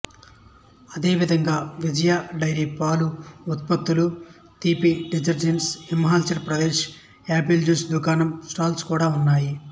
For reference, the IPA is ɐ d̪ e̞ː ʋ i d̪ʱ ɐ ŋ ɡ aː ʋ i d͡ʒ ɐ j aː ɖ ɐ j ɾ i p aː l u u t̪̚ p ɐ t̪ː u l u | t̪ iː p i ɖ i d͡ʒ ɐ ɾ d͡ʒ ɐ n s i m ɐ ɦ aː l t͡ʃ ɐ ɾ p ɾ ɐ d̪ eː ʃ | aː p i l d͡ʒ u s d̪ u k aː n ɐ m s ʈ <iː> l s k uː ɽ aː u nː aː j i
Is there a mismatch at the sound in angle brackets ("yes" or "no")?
yes